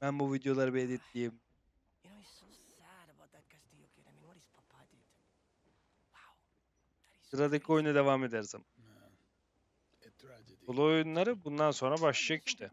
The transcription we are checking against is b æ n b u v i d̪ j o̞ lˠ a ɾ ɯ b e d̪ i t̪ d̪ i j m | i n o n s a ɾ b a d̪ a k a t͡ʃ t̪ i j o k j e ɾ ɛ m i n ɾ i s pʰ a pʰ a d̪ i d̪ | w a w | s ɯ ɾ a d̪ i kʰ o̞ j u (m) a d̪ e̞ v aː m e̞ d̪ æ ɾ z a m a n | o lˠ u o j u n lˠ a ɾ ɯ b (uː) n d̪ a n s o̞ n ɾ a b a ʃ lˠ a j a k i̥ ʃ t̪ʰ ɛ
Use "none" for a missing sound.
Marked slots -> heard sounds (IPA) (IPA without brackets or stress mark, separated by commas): n, u